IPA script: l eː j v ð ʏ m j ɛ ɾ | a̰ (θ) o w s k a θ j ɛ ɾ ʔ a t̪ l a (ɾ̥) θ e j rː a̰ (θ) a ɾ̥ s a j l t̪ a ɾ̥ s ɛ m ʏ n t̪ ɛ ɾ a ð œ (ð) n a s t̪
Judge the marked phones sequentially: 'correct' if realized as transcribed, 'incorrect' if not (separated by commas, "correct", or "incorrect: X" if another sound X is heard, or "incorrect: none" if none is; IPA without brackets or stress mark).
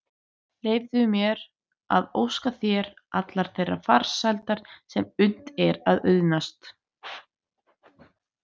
incorrect: ð, correct, incorrect: f, correct